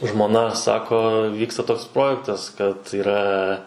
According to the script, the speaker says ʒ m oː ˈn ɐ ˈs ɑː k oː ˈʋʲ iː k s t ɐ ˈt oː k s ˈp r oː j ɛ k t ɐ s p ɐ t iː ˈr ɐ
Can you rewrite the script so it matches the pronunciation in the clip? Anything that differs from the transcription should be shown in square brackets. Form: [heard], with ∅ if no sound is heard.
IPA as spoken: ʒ m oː ˈn ɐ ˈs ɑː k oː ˈʋʲ iː k s t ɐ ˈt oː k s ˈp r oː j ɛ k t ɐ s [k] ɐ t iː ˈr ɐ

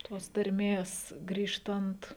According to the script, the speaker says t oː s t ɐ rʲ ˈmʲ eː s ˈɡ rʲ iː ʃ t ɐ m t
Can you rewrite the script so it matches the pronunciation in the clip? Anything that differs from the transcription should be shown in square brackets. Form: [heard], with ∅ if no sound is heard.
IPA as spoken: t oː s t ɐ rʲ ˈmʲ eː s ˈɡ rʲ iː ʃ t ɐ [n] t

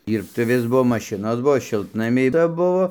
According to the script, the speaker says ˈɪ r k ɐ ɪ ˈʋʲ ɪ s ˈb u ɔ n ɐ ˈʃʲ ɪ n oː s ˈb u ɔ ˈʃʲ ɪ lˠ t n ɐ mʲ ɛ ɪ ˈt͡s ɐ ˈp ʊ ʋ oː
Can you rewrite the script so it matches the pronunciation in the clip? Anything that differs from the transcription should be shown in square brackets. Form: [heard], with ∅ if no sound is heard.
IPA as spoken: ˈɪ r [t] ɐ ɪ ˈʋʲ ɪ s ˈb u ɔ [m] ɐ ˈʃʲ ɪ n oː s ˈb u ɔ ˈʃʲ ɪ lˠ t n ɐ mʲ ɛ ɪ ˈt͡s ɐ [ˈb] ʊ ʋ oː

